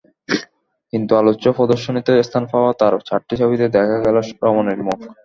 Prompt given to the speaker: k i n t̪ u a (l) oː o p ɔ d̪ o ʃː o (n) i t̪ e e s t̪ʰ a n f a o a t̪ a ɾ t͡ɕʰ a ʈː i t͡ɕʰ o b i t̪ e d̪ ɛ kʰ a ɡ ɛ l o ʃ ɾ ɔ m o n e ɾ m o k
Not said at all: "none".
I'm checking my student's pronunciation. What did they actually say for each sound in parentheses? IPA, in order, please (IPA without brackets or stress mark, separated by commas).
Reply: l, n